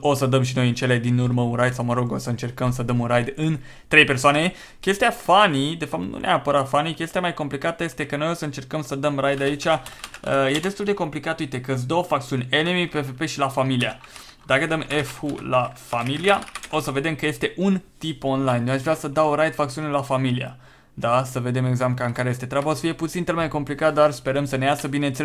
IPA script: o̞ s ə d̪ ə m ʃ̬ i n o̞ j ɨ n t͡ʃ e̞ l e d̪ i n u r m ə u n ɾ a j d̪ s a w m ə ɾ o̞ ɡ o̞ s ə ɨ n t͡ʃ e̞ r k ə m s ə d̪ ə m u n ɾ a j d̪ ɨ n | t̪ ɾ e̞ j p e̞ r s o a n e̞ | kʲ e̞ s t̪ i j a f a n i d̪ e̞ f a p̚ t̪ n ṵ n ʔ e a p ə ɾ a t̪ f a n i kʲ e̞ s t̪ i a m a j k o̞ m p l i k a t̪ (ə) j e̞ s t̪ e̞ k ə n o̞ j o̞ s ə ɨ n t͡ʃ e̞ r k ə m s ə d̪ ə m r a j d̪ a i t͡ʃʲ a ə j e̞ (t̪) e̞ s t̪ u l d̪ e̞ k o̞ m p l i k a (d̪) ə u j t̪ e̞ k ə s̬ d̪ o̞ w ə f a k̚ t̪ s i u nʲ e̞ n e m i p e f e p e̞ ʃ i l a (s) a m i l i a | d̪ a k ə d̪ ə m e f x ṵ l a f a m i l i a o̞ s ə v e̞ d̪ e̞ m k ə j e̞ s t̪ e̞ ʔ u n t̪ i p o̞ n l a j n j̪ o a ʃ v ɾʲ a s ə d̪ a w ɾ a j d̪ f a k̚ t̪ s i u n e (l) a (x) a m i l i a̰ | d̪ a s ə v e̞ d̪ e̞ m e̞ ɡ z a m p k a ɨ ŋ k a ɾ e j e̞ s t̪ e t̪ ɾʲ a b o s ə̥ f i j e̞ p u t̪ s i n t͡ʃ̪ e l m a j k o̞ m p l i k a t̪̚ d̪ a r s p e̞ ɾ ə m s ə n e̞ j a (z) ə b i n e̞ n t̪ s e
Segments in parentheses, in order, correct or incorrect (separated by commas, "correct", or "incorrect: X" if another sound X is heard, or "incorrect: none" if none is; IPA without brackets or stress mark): correct, incorrect: d̪, incorrect: t̪, incorrect: f, correct, incorrect: f, incorrect: s